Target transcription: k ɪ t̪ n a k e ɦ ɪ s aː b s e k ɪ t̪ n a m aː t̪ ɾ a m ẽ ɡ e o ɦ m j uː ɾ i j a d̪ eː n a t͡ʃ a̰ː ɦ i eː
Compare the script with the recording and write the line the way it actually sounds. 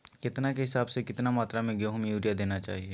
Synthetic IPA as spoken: k ɪ t̪ n a k e ɦ ɪ s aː b s e k ɪ t̪ n a m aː t̪ ɾ a m ẽ ɡ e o ɦ m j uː ɾ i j a d̪ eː n a t͡ʃ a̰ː ɦ i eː